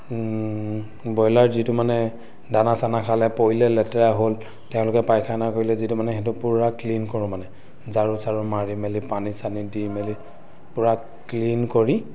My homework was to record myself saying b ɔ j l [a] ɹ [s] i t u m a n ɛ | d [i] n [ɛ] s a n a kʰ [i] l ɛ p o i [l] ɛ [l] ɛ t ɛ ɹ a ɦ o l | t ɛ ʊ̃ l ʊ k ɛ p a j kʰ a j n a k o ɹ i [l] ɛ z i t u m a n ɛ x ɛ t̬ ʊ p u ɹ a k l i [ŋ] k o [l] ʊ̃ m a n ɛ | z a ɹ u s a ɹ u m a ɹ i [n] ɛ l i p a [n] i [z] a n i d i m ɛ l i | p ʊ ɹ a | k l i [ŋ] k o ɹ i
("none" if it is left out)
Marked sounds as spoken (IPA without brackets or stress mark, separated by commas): a, z, a, a, a, l, l, l, n, ɹ, m, n, s, n